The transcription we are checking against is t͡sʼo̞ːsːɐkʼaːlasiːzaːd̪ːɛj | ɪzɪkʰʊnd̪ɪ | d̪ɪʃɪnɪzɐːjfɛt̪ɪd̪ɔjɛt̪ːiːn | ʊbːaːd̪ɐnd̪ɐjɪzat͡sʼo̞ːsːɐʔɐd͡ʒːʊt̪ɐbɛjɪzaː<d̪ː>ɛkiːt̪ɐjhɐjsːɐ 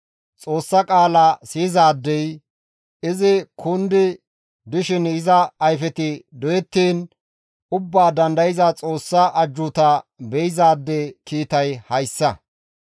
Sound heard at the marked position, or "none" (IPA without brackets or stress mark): d̪ː